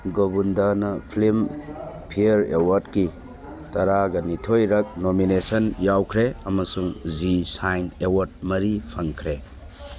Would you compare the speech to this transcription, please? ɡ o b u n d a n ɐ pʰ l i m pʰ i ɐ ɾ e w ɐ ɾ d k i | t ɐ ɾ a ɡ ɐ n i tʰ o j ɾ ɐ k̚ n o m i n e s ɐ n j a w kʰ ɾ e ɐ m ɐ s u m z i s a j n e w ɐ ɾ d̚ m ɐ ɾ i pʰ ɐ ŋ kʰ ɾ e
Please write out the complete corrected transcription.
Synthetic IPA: ɡ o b u n d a n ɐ pʰ l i m pʰ i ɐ ɾ e w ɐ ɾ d k i | t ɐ ɾ a ɡ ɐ n i tʰ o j ɾ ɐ k̚ n o m i n e s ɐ n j a w kʰ ɾ e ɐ m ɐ s u ŋ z i s a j n e w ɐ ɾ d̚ m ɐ ɾ i pʰ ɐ ŋ kʰ ɾ e